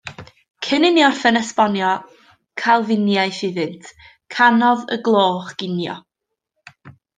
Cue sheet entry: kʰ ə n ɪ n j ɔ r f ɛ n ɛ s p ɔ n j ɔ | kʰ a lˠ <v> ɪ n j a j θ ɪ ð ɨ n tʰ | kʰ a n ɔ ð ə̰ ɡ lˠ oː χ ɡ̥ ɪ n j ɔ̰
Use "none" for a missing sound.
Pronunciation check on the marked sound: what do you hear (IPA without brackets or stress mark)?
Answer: v